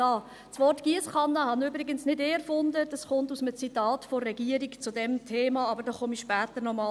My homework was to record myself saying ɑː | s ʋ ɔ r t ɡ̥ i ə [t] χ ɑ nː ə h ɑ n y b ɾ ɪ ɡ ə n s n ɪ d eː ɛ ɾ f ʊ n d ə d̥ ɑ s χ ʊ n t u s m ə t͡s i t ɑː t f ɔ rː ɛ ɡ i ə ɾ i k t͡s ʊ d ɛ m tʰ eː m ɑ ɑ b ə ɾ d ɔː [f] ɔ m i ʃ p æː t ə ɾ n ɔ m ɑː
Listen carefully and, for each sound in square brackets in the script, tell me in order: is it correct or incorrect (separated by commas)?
incorrect, incorrect